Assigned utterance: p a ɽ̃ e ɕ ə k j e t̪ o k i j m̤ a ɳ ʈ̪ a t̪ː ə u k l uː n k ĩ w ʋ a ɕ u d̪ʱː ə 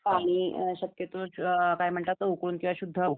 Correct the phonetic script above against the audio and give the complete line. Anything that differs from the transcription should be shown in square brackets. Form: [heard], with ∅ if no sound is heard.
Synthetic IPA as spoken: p a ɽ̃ [i] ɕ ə k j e t̪ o k [a] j m̤ [ə] ɳ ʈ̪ a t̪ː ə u k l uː n k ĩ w ʋ a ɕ u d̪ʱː ə

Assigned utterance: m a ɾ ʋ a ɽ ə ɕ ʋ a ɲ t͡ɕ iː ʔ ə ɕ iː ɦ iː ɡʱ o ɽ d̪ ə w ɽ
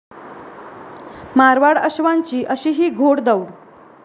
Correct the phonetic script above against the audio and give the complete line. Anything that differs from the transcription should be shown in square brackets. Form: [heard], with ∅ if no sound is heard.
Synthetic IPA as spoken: m a ɾ ʋ a ɽ ə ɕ ʋ a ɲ t͡ɕ iː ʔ ə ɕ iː ɦ iː ɡʱ o ɽ d̪ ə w ɽ

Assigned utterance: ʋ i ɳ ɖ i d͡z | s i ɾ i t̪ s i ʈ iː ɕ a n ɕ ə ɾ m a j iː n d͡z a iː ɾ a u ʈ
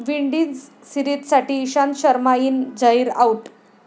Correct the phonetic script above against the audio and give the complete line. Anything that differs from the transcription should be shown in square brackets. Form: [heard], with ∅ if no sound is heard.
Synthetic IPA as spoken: ʋ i ɳ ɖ i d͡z | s i ɾ i t̪ s [a] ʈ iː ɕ a n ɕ ə ɾ m a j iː n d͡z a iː ɾ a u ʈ

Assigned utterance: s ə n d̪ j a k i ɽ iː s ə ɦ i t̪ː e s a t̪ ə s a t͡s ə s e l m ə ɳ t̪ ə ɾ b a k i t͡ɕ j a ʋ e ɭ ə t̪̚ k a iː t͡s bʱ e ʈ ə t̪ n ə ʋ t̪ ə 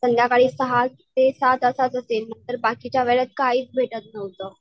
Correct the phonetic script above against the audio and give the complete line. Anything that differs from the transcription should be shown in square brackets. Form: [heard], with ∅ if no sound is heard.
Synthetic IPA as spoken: s ə n d̪ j a k [a] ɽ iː s ə ɦ [a] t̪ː e s a t̪ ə s a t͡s ə s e l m ə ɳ t̪ ə ɾ b a k i t͡ɕ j a ʋ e ɭ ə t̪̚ k a iː t͡s bʱ e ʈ ə t̪ n ə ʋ t̪ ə

